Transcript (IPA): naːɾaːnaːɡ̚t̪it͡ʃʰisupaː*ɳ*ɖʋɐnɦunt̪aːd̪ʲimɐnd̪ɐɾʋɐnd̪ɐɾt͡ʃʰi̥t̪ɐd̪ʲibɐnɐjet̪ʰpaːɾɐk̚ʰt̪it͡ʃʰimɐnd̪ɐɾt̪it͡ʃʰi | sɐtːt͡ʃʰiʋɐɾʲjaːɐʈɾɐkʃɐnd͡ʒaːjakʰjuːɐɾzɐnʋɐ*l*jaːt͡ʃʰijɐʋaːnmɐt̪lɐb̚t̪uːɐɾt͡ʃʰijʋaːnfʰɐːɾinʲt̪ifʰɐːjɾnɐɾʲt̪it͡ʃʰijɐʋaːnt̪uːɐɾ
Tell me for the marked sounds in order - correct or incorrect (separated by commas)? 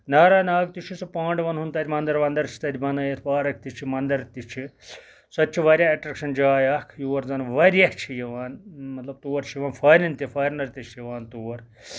correct, incorrect